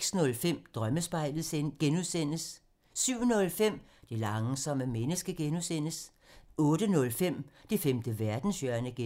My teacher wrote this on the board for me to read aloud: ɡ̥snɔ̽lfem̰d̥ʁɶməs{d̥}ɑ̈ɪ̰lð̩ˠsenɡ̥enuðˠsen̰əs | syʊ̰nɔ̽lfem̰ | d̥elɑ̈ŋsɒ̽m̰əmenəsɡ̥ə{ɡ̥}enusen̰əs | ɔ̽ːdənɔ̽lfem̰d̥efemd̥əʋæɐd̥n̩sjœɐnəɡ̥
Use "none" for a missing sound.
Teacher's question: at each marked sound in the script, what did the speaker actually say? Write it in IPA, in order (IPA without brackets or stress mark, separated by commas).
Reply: b̥, ɡ̥